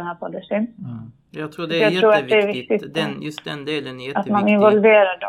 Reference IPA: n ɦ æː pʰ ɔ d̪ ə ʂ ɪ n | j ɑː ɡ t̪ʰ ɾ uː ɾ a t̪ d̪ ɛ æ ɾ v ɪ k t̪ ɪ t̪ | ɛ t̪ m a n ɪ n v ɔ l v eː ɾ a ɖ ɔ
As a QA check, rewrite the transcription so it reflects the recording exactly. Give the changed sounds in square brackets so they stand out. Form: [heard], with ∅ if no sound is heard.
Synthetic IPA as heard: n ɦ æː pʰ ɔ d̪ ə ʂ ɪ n | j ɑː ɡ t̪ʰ ɾ uː ɾ a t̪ d̪ ɛ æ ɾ v ɪ k t̪ ɪ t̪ | [a] t̪ m a n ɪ n v ɔ l v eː ɾ a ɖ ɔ